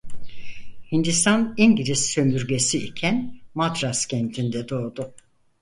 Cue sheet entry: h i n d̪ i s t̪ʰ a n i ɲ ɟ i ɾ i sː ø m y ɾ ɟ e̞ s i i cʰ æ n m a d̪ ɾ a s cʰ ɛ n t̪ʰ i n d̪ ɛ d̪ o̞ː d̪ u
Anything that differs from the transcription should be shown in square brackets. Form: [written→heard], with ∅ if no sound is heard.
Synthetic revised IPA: h i n d̪ i s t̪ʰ a n i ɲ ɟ i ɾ i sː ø m y ɾ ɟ e̞ s i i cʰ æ n m a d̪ ɾ a s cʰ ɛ n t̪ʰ i n d̪ ɛ d̪ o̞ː d̪ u